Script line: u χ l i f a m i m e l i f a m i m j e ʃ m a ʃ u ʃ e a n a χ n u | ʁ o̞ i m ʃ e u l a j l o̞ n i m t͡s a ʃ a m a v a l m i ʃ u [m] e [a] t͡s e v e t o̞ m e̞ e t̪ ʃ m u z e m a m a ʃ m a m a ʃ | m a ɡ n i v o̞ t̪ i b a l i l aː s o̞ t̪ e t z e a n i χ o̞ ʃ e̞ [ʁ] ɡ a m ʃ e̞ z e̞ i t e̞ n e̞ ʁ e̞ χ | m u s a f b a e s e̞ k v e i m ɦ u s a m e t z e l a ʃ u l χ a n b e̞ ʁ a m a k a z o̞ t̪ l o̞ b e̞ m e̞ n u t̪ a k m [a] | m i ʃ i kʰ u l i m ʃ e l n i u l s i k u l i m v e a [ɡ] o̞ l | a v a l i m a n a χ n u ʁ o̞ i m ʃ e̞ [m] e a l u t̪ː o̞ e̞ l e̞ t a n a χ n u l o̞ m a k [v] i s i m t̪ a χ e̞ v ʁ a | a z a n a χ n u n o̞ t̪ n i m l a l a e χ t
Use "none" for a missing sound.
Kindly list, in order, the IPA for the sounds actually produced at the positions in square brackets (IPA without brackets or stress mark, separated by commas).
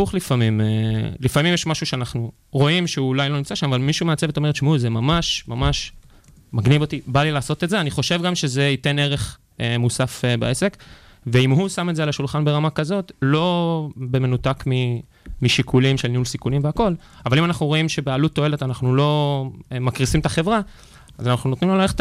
m, a, v, i, k, b, ʁ